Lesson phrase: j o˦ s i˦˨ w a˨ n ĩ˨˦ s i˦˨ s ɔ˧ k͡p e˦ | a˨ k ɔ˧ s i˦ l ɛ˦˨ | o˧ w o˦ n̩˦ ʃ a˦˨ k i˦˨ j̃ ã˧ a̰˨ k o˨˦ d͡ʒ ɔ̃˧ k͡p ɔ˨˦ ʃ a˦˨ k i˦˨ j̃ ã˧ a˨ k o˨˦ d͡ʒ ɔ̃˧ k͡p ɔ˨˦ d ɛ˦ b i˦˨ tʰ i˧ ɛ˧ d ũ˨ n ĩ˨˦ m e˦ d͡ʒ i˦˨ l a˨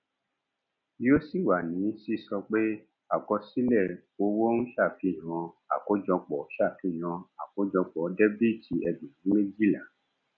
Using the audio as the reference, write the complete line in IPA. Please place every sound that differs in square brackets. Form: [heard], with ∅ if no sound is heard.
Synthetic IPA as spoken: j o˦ s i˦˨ w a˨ n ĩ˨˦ s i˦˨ s ɔ˧ k͡p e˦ | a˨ k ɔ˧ s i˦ l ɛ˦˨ | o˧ w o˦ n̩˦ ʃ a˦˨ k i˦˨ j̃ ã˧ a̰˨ k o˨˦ d͡ʒ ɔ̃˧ k͡p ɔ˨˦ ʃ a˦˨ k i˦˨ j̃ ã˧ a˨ k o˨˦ d͡ʒ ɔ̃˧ k͡p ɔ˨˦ d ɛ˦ b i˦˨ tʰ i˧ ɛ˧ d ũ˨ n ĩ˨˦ m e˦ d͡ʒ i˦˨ l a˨